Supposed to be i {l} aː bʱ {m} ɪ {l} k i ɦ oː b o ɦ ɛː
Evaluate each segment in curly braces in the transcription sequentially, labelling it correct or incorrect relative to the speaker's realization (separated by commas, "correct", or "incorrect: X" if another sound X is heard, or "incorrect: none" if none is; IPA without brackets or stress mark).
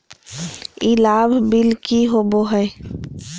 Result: correct, incorrect: b, correct